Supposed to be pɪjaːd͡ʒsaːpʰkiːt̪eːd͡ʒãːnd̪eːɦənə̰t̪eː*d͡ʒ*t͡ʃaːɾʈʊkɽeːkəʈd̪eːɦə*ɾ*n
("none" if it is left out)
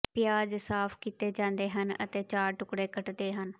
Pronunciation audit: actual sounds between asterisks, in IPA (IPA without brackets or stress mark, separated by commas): none, none